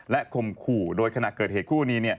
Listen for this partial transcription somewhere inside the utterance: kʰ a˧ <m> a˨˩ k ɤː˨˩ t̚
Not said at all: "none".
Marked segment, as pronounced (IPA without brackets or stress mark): n